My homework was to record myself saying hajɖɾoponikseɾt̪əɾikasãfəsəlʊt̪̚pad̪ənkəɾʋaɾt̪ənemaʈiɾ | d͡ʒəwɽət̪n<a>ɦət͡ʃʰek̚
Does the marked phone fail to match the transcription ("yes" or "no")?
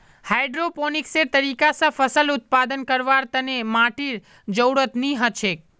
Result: yes